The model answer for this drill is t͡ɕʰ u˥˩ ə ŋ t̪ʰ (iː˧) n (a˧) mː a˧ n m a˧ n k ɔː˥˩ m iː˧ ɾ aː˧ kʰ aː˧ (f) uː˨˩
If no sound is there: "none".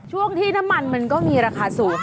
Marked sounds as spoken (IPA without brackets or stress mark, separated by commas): iː˥˩, a˦˥, s